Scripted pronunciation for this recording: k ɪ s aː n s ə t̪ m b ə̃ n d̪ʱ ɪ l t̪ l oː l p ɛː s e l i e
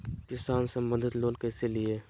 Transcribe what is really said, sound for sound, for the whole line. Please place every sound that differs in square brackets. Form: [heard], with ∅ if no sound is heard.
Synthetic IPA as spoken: k ɪ s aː n s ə [∅] m b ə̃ n d̪ʱ ɪ [∅] t̪ l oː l [k] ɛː s e l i e